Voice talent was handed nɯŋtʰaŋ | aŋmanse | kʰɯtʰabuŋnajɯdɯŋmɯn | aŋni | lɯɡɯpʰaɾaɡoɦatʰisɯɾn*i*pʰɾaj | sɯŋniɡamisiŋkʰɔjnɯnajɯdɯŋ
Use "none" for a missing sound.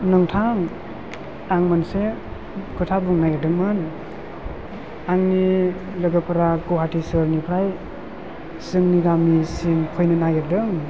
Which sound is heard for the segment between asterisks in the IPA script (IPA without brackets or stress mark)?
i